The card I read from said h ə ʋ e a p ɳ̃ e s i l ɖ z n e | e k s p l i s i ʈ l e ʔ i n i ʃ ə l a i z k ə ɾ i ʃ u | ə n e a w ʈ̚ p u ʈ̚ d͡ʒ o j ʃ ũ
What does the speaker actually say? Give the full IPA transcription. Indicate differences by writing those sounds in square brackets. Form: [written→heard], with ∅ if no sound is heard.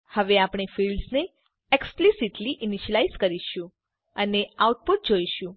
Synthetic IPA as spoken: h ə ʋ e a p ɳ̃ e [s→f] i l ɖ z n e | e k s p l i s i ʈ l [e→i] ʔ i n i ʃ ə l a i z k ə ɾ i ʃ [u→ũ] | ə n e a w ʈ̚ p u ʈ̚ d͡ʒ o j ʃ ũ